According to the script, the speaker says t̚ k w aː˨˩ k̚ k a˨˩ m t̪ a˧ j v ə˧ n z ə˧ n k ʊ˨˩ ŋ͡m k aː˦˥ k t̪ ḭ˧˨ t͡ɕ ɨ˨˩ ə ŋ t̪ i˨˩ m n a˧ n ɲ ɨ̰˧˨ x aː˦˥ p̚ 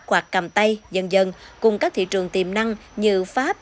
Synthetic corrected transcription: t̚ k w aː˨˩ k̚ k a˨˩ m t̪ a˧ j z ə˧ n z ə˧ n k ʊ˨˩ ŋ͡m k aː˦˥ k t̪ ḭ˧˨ t͡ɕ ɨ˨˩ ə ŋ t̪ i˨˩ m n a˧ ŋ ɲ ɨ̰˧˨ f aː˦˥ p̚

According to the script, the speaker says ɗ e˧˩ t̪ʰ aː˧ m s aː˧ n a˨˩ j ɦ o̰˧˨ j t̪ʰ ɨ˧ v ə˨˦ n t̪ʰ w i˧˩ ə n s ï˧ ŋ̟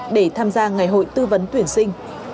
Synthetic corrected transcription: ɗ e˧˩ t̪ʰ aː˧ m z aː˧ ŋ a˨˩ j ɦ o̰˧˨ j t̪ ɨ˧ v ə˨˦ n t̪ w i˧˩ ə n s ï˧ ŋ̟

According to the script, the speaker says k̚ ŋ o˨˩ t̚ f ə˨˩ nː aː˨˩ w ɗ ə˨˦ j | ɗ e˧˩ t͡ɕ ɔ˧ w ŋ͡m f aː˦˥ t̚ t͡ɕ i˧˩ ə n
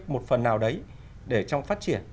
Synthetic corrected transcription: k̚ m o˨˩ t̚ f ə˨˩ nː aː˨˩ w ɗ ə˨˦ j | ɗ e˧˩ t͡ɕ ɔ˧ w ŋ͡m f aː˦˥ t̚ t͡ɕ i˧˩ ə n

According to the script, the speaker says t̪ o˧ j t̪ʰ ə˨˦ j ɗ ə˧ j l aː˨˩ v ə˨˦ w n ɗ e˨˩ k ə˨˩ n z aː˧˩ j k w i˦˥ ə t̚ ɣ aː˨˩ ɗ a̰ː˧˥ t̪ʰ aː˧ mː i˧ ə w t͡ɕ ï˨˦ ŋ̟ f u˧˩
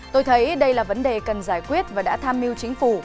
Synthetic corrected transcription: t̪ o˧ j t̪ʰ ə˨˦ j ɗ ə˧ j l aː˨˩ v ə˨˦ n ɗ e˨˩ k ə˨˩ n z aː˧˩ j k w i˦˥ ə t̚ v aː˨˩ ɗ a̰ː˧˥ t̪ʰ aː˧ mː i˧ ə w t͡ɕ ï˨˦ ŋ̟ f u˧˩

